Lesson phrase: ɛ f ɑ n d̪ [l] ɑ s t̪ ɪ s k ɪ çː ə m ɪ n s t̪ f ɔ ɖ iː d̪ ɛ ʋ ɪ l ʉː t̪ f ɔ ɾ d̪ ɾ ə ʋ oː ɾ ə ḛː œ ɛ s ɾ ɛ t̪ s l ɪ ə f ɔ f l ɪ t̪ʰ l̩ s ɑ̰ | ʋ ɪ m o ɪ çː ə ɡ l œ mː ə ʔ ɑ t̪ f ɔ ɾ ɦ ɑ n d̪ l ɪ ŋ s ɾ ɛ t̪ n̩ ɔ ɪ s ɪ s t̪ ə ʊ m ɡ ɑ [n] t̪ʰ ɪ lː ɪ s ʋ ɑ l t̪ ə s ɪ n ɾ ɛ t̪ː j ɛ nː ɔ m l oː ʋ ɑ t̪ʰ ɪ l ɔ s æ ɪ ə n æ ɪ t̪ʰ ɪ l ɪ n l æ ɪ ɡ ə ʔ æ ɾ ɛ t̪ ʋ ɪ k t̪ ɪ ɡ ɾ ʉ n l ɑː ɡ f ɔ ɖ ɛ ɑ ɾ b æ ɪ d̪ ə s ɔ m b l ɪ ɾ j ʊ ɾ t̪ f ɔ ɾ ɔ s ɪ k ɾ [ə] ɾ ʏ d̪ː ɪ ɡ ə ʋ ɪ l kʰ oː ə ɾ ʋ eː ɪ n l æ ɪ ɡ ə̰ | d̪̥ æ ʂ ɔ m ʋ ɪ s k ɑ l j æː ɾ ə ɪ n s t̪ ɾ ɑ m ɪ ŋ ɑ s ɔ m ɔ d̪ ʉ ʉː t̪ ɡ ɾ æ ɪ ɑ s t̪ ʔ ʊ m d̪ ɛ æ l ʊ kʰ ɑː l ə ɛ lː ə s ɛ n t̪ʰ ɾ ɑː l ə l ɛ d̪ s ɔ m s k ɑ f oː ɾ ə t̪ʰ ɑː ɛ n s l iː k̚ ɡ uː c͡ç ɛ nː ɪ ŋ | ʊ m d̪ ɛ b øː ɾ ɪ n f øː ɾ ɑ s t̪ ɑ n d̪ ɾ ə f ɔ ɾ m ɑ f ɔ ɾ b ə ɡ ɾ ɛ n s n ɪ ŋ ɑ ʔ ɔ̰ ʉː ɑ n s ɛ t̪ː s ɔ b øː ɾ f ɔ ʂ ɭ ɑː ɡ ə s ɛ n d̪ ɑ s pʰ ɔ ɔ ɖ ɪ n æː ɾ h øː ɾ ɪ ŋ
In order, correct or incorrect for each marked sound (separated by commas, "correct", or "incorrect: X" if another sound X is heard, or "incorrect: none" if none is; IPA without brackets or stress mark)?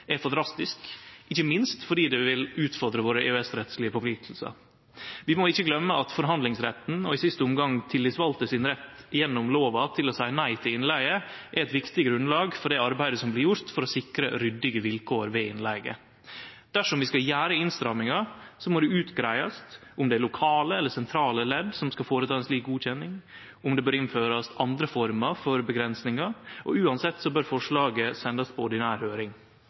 incorrect: ɾ, incorrect: ŋ, correct